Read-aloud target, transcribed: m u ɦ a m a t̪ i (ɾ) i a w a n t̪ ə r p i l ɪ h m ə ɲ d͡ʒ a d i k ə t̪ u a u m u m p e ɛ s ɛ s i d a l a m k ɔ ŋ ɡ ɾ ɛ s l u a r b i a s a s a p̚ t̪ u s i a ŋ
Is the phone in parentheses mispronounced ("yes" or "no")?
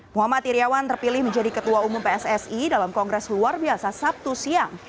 no